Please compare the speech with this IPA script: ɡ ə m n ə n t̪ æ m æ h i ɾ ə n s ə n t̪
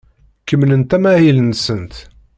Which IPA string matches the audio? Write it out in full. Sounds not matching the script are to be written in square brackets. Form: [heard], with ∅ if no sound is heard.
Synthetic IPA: [k] ə m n ə n t̪ æ m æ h i [l] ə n s ə n t̪